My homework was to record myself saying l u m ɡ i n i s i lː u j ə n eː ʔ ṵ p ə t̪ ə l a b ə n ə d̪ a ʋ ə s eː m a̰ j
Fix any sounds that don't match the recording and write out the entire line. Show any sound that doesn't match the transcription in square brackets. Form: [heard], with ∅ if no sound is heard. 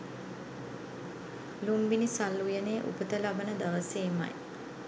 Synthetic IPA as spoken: l u m [b] i n i s [a] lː u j ə n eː ʔ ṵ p ə t̪ ə l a b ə n ə d̪ a ʋ ə s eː m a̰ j

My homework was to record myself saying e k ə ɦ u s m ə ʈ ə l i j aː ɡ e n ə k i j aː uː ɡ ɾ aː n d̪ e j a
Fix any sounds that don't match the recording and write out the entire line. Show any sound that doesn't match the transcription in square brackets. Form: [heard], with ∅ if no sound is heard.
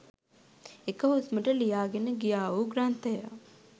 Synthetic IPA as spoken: e k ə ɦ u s m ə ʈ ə l i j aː ɡ e n ə [ɡ] i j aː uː ɡ ɾ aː n [t̪] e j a

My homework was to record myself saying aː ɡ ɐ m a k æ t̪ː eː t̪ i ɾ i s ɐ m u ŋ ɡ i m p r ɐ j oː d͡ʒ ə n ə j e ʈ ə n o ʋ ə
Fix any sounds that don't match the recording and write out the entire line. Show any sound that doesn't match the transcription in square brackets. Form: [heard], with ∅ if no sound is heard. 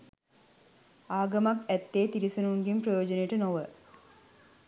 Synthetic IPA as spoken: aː ɡ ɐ m a k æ t̪ː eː t̪ i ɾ i s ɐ [n] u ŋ ɡ i m p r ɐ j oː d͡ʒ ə n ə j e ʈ ə n o ʋ ə

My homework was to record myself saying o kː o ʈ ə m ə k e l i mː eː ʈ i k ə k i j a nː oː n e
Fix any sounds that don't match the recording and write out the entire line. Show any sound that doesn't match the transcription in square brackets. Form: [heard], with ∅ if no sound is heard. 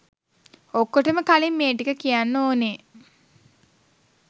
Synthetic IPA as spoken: o kː o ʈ ə m ə k [a] l i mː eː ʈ i k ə k i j a nː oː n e

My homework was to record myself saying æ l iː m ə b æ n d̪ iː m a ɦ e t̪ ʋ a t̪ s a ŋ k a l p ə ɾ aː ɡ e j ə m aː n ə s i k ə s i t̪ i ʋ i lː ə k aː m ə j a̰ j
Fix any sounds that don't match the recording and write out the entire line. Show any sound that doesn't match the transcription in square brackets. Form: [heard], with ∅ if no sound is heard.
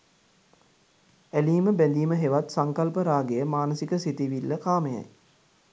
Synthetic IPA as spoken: æ l iː m ə b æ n d̪ iː m [ə] ɦ e [∅] ʋ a t̪ s a ŋ k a l p ə ɾ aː ɡ e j ə m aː n ə s i k ə s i t̪ i ʋ i lː ə k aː m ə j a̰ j

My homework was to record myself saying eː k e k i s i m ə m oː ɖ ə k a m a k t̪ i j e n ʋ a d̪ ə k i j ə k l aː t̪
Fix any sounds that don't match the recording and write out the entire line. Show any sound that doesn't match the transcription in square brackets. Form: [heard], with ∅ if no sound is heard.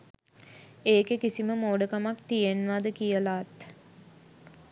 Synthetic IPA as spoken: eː k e k i s i m ə m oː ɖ ə k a m a k t̪ i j e n ʋ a d̪ ə k i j ə [∅] l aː t̪

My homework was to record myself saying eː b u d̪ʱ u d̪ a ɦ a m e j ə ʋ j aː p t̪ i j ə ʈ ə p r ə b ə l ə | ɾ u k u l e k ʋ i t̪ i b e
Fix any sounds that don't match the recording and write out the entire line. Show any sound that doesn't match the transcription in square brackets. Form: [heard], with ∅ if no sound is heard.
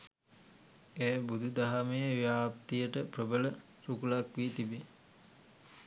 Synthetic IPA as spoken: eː b u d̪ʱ u d̪ a ɦ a m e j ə ʋ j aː p t̪ i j ə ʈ ə p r ə b ə l ə | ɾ u k u l [a] k ʋ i t̪ i b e

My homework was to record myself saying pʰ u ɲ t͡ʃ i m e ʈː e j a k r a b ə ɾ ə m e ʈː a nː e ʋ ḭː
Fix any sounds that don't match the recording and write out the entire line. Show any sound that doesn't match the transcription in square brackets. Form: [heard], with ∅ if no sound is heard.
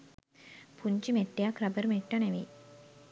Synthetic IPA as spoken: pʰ u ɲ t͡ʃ i m e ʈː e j a k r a b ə ɾ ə m e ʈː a [n] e ʋ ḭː

